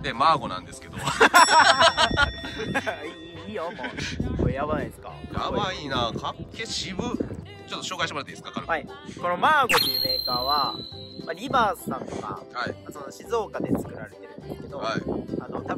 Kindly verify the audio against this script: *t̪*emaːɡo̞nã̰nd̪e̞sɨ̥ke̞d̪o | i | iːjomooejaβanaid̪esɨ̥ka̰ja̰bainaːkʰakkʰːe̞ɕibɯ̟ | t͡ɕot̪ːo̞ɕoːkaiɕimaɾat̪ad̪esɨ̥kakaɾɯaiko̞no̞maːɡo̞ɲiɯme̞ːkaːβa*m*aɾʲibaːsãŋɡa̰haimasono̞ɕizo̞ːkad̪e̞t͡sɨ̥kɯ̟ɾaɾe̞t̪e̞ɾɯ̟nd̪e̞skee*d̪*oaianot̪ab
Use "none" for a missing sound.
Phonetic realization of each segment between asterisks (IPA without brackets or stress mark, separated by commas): d̪, m, d̪